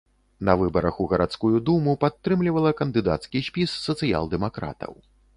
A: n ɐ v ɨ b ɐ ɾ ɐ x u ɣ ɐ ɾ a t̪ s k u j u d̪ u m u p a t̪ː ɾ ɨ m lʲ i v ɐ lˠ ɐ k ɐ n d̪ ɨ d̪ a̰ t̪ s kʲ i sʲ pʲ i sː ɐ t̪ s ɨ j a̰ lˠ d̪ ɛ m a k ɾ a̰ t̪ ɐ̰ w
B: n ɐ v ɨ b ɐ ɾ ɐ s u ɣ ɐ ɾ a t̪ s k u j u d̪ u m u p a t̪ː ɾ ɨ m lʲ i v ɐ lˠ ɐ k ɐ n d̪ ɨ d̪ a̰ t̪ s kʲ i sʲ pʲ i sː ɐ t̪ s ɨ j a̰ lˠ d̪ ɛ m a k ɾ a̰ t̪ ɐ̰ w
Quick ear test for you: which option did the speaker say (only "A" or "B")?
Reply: A